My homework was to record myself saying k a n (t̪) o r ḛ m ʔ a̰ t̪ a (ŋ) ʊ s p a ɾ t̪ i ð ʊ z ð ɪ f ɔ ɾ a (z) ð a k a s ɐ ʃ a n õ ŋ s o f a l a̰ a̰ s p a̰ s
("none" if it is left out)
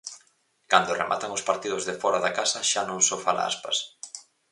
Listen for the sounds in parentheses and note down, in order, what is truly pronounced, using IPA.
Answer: d̪, ŋ, none

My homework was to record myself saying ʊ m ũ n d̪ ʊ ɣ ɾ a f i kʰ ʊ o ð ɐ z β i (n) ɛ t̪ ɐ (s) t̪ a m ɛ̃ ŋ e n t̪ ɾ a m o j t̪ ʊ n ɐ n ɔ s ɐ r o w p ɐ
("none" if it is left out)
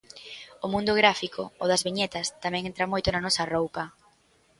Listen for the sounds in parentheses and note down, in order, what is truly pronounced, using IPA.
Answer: ɲ, s

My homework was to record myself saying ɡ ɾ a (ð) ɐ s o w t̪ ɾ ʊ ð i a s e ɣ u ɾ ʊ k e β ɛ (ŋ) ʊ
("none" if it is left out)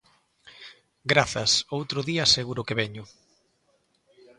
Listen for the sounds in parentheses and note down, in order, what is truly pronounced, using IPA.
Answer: θ, ɲ

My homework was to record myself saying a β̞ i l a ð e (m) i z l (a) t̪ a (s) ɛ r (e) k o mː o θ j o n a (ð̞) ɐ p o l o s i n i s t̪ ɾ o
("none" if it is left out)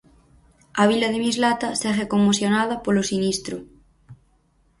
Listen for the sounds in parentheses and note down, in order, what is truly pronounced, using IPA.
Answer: m, a, s, e, ð̞

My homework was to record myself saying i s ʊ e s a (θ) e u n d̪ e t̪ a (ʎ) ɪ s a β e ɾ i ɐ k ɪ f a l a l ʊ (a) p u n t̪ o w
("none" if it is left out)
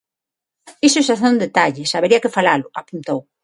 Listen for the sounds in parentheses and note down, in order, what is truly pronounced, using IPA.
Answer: θ, ʎ, a

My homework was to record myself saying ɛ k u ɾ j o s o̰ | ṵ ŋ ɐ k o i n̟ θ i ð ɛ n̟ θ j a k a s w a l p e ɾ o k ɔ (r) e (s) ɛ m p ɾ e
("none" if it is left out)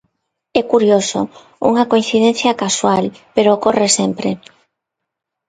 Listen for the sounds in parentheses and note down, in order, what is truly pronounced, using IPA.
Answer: r, s

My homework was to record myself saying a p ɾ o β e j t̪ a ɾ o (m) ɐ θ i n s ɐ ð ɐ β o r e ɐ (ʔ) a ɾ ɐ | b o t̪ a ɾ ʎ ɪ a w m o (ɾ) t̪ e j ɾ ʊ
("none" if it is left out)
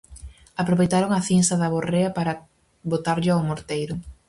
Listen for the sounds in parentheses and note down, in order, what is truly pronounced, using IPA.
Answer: ŋ, p, ɾ

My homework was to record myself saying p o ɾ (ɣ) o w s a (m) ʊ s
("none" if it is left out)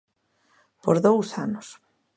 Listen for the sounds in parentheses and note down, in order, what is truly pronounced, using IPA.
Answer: ð, n

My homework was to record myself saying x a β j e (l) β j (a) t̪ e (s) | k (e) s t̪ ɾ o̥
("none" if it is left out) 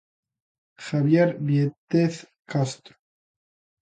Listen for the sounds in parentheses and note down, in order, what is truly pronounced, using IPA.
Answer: ɾ, e, θ, a

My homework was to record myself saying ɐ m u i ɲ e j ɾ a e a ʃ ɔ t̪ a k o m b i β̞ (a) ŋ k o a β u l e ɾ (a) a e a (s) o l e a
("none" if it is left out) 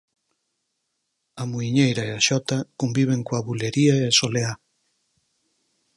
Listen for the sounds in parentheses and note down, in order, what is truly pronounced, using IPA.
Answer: e, i, s

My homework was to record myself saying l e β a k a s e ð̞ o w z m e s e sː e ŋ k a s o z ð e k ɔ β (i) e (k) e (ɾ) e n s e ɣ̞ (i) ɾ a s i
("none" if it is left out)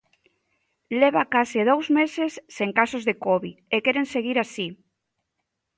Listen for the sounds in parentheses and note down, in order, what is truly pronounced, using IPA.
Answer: i, k, ɾ, i

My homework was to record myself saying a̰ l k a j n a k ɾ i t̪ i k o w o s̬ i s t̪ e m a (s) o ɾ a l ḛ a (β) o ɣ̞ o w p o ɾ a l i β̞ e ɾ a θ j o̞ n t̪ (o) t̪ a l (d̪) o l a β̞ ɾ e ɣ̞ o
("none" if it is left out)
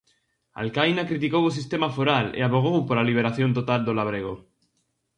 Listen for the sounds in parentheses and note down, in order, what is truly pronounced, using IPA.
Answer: f, β, o, d̪

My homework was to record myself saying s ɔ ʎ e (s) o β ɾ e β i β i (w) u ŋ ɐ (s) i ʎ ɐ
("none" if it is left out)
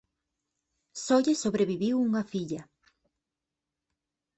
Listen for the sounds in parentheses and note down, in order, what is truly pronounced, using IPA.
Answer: s, w, f

